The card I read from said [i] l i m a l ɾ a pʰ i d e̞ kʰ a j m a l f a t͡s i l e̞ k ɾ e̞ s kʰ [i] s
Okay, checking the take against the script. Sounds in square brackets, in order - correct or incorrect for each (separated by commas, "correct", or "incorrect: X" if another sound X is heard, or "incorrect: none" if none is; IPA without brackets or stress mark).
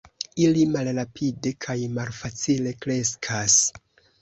correct, incorrect: a